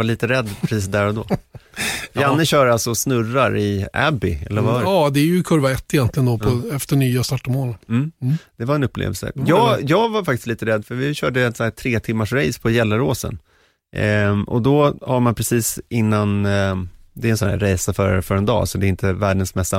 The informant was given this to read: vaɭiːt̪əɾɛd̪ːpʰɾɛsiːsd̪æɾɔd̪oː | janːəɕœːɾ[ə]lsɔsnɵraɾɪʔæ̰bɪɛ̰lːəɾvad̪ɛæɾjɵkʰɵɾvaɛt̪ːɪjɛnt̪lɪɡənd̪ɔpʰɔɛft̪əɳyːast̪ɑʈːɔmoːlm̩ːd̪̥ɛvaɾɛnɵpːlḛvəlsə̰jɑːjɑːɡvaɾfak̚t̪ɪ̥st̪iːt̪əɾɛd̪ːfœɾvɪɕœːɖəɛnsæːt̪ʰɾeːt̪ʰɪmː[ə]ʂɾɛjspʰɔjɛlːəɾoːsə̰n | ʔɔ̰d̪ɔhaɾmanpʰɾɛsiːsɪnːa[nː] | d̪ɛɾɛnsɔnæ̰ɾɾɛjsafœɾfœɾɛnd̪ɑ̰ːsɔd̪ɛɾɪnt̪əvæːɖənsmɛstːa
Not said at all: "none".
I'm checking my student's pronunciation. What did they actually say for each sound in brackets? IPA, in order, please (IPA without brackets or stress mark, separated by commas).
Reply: a, a, n